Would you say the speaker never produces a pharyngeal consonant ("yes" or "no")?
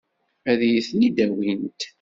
yes